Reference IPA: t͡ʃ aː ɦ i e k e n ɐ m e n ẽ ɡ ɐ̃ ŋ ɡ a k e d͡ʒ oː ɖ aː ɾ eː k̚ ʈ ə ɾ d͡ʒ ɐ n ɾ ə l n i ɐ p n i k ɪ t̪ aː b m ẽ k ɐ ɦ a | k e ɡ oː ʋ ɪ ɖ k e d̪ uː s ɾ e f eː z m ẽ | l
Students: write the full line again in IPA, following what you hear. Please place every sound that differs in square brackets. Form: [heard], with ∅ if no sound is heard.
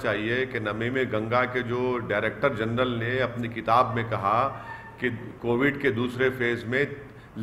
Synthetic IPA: t͡ʃ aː ɦ i e k e n ɐ m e [m] ẽ ɡ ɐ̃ ŋ ɡ a k e d͡ʒ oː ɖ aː ɾ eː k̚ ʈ ə ɾ d͡ʒ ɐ n ɾ ə l n [e] ɐ p n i k ɪ t̪ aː b m ẽ k ɐ ɦ a | k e [k] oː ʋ ɪ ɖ k e d̪ uː s ɾ e f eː z m ẽ | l